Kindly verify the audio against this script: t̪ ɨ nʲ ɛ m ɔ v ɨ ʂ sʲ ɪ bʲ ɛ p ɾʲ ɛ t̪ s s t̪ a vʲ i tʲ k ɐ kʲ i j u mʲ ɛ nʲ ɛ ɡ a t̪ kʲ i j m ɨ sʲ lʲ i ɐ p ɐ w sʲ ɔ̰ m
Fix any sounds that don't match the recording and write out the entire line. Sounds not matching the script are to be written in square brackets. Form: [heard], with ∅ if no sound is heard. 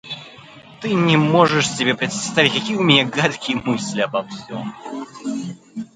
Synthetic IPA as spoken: t̪ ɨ nʲ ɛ m ɔ [ʐ] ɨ ʂ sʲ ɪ bʲ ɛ p ɾʲ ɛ t̪ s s t̪ a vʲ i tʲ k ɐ kʲ i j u mʲ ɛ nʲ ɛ ɡ a t̪ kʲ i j m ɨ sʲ lʲ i ɐ [b] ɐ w sʲ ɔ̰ m